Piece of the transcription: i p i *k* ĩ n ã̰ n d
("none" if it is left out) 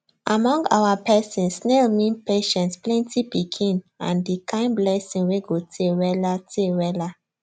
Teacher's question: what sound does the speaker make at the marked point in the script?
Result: kʰ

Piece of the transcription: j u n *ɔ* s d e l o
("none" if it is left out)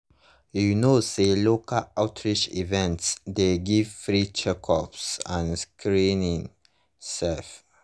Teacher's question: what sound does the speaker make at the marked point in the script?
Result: o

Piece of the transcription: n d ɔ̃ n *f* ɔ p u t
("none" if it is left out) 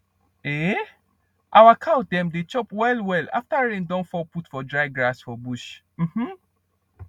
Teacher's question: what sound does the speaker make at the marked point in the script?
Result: f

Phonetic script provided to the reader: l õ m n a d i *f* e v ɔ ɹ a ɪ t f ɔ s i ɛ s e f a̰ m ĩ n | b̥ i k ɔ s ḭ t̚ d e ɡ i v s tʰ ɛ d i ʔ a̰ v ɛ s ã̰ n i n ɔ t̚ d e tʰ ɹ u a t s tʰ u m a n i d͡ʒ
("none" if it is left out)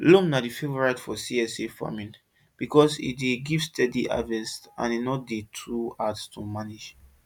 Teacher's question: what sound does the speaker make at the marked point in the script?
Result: f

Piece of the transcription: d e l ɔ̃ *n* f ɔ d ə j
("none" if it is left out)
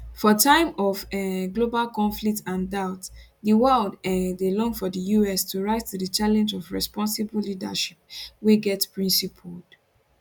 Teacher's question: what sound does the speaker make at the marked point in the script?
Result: ŋ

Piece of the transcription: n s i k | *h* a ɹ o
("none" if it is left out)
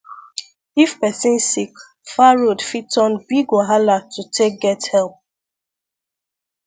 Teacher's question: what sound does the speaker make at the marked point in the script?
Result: f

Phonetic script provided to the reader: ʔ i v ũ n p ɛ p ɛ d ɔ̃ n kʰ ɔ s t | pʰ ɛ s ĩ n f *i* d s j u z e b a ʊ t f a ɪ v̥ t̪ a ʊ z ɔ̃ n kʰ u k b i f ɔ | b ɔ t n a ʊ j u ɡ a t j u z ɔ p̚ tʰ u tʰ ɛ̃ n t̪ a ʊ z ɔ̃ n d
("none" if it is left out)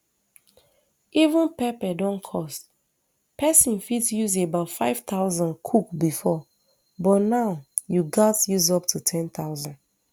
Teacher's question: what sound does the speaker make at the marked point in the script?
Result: i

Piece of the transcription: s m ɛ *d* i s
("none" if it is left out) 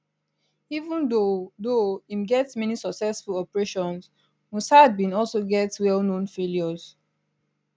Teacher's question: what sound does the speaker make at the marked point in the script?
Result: n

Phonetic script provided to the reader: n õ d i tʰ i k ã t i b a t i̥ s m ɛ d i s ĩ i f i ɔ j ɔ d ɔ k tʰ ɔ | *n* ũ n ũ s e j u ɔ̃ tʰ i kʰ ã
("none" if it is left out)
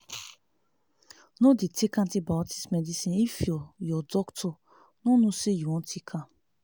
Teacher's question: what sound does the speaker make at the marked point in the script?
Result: n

